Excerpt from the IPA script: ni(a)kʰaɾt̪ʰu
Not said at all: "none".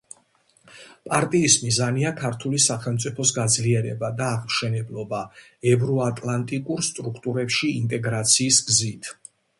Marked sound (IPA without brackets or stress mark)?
a